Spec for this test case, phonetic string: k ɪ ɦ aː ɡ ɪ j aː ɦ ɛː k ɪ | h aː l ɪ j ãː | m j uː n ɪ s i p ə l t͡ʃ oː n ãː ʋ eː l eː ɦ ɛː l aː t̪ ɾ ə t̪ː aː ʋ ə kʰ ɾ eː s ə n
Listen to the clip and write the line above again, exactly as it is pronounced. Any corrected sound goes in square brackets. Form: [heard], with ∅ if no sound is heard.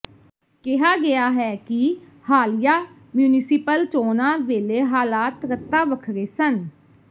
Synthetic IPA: k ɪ ɦ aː ɡ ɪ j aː ɦ ɛː k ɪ | h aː l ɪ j [aː] | m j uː n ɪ s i p ə l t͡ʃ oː n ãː ʋ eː l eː ɦ [aː] l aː t̪ ɾ ə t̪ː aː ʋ ə kʰ ɾ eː s ə n